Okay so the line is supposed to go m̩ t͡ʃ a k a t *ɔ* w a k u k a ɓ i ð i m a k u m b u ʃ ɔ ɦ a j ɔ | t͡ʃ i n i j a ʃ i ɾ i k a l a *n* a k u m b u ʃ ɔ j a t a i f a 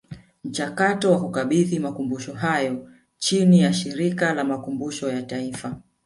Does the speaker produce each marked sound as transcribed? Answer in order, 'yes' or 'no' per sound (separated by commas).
yes, no